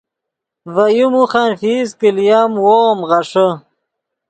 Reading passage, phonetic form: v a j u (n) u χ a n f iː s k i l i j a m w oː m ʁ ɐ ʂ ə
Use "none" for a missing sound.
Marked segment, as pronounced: m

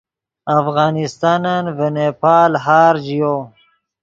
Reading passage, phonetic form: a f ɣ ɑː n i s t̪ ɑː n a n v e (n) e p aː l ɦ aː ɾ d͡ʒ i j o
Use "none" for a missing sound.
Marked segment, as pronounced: n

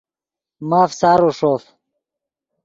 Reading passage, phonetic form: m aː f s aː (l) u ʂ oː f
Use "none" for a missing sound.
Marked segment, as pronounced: ɾ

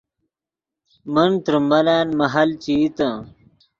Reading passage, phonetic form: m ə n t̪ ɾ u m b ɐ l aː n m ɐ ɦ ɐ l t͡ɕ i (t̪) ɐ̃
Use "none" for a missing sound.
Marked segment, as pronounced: t̪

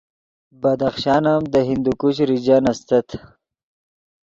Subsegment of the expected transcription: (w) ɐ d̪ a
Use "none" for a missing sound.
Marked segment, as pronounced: b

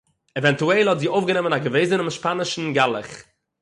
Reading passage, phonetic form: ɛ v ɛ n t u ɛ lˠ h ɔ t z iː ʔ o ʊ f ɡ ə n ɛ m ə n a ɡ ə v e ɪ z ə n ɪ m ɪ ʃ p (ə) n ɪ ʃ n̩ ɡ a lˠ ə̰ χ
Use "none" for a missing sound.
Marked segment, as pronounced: a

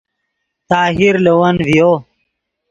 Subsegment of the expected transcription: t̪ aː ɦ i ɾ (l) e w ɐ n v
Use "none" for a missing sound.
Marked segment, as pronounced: l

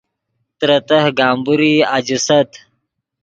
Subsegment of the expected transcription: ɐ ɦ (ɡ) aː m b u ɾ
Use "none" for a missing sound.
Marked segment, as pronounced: ɡ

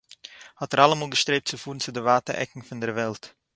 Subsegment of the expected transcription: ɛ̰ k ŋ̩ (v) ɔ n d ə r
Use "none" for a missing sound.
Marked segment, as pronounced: f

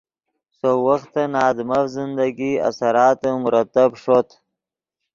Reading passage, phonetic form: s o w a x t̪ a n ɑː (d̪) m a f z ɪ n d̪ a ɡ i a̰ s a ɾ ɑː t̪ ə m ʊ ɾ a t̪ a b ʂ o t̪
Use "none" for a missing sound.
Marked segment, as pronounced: d̪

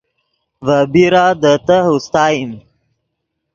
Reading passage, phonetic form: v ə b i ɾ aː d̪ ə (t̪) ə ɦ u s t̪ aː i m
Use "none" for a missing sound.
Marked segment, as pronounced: t̪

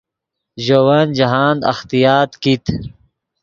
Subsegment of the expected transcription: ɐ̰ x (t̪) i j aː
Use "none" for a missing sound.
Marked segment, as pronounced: t̪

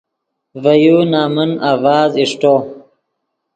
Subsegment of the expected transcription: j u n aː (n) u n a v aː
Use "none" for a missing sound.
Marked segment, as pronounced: m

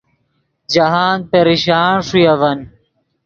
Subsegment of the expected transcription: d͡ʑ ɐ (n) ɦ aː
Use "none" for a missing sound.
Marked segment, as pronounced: none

